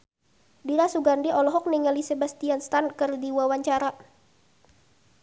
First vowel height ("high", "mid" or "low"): high